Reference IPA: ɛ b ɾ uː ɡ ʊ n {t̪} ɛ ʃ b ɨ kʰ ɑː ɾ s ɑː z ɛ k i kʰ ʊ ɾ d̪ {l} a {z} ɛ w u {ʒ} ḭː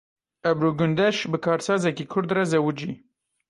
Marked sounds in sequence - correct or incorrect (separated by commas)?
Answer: incorrect, incorrect, correct, incorrect